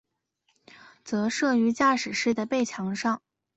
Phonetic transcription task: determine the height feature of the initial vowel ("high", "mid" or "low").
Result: mid